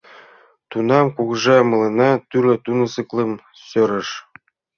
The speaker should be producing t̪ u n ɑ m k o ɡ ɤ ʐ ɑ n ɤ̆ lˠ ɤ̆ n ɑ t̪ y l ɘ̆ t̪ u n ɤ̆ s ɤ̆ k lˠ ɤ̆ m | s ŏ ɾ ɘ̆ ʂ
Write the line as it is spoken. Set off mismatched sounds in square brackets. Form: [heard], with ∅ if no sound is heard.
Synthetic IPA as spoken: t̪ u n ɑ m k [u] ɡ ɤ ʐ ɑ [m] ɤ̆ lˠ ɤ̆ n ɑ t̪ y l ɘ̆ t̪ u n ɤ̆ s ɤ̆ k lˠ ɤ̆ m | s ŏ ɾ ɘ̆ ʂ